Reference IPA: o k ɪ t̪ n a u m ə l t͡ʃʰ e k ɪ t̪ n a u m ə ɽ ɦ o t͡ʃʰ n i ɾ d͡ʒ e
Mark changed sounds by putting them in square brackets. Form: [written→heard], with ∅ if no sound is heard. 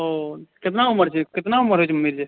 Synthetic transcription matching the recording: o k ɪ t̪ n a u m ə [l→ɾ] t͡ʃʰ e k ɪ t̪ n a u m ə [ɽ→ɾ] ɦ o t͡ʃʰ [n→m] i ɾ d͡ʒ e